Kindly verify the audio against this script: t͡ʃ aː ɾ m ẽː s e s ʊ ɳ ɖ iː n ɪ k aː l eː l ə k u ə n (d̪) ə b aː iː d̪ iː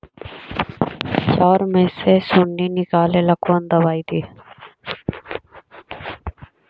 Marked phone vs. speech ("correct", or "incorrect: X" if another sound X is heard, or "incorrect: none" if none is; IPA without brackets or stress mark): correct